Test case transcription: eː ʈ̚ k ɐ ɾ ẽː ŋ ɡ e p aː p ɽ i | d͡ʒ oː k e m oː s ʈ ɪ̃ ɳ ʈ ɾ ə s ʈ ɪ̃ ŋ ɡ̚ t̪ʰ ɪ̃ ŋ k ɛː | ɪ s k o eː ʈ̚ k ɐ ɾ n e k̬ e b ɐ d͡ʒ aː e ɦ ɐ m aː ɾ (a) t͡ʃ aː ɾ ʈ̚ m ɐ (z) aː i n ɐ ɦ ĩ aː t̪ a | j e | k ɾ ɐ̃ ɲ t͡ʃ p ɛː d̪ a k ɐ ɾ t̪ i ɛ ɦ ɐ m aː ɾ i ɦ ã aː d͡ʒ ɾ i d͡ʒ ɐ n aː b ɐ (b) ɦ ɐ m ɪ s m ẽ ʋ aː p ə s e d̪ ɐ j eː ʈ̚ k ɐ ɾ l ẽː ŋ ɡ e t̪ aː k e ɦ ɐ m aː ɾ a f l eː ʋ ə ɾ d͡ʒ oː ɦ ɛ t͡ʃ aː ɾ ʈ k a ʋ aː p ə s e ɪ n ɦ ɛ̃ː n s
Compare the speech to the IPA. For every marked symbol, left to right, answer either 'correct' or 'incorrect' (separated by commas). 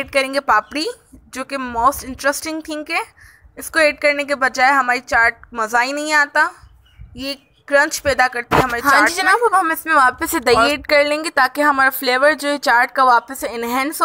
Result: incorrect, correct, correct